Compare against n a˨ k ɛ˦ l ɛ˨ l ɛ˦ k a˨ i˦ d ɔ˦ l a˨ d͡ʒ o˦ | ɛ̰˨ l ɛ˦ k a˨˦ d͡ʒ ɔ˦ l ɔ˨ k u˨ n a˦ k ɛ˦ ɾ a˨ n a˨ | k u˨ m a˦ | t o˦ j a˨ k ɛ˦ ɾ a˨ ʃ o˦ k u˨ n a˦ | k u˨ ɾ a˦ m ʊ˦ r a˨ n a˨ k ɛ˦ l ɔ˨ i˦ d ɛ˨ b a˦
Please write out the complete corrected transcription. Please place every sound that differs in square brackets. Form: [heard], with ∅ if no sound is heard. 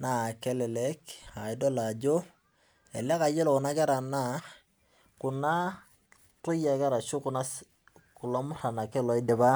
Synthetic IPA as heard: n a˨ k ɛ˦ l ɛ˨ l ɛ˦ k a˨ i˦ d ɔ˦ l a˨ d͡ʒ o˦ | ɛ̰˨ l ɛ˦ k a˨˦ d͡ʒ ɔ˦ l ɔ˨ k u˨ n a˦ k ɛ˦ ɾ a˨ n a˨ | k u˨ [n] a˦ | t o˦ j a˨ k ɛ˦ ɾ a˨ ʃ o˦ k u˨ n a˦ | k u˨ [l] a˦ m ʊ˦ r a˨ n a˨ k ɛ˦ l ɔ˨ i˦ d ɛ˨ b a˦